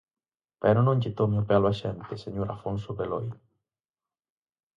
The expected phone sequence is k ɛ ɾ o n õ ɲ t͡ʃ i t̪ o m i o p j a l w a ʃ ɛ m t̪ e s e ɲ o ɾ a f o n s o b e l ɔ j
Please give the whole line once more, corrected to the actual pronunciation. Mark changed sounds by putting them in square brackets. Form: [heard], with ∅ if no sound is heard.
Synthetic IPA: [p] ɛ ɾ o n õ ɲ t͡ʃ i t̪ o m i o p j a l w a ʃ ɛ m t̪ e s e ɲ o ɾ a f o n s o b e l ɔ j